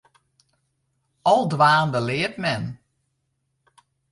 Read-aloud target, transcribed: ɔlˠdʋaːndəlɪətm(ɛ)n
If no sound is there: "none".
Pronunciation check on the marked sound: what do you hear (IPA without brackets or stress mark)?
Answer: ɛ